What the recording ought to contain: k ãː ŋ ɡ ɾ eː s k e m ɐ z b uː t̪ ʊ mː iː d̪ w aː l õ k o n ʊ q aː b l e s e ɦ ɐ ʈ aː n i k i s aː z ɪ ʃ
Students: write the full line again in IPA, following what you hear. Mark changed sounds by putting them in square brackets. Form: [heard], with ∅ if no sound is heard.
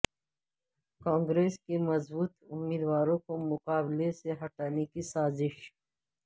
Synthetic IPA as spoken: k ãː ŋ ɡ ɾ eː s k e m ɐ z b uː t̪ ʊ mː iː d̪ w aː [ɾ] õ k o [m] ʊ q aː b l e s e ɦ ɐ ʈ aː n [e] k i s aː z ɪ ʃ